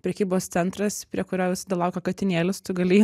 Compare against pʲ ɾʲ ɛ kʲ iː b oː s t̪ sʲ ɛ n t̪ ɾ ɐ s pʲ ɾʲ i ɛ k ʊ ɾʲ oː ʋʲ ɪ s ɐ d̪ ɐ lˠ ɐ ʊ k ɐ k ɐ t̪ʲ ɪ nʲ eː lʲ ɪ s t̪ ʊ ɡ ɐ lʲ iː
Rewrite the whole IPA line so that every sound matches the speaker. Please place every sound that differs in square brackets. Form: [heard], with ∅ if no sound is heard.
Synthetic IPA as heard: pʲ ɾʲ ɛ kʲ iː b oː s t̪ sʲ ɛ n t̪ ɾ ɐ s pʲ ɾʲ i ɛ k ʊ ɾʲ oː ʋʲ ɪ s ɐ d̪ ɐ lˠ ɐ ʊ k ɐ k ɐ t̪ʲ ɪ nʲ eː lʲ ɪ s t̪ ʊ ɡ ɐ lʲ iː